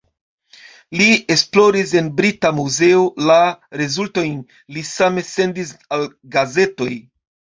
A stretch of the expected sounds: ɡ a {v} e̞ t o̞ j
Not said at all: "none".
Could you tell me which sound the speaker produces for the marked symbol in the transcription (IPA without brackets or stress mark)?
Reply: z